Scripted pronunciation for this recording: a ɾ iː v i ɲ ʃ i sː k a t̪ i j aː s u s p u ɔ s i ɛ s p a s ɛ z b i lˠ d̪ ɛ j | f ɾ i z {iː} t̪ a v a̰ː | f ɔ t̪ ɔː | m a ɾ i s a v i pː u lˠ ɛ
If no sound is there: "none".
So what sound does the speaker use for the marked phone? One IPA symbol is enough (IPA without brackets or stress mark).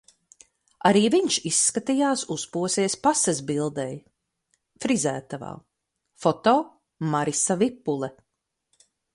æː